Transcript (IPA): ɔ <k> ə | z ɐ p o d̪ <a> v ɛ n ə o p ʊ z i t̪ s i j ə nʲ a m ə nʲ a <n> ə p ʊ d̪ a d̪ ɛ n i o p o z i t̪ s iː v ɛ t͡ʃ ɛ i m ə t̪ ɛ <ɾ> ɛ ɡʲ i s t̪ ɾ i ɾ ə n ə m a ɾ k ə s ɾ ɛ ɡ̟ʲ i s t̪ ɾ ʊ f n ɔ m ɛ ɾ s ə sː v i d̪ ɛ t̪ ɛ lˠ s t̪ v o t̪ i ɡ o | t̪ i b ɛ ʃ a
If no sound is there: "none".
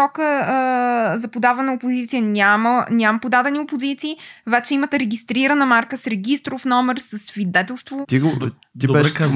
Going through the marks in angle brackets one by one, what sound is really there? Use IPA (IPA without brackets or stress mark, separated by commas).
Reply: k, a, m, ɾ